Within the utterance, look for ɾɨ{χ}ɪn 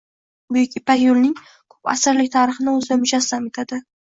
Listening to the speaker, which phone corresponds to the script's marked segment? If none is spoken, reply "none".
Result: χ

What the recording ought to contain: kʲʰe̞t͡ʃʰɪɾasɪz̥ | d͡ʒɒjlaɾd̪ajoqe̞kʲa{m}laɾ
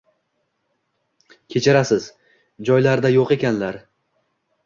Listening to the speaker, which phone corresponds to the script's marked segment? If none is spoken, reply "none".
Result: n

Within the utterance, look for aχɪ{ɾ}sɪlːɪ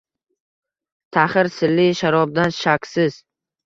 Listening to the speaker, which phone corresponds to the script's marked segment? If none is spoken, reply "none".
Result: ɾ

